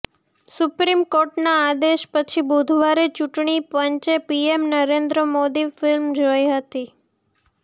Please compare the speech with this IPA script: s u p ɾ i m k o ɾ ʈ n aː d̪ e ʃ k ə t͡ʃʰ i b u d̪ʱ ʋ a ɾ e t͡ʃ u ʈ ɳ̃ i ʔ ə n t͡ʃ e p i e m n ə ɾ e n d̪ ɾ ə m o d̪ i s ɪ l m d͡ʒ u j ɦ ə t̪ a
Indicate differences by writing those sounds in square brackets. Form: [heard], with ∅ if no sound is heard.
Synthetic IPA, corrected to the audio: s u p ɾ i m k o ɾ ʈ n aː d̪ e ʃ [p] ə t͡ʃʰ i b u d̪ʱ ʋ a ɾ e t͡ʃ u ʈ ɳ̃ i [p] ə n t͡ʃ e p i e m n ə ɾ e n d̪ ɾ ə m o d̪ i [f] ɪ l m d͡ʒ [o] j ɦ ə t̪ [i]